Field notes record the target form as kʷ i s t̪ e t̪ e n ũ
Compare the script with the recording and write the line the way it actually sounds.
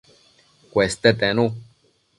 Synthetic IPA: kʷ e s t̪ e t̪ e n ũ